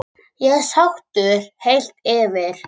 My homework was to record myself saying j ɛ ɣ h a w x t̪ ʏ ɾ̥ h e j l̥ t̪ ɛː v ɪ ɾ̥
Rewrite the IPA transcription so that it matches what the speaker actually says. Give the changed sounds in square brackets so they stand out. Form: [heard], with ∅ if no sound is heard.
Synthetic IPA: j ɛ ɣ [s] a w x t̪ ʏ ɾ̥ h e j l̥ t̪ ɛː v ɪ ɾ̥